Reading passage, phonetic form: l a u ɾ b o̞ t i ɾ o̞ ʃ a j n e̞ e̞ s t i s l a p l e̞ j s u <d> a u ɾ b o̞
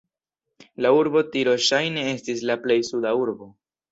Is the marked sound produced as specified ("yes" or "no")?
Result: yes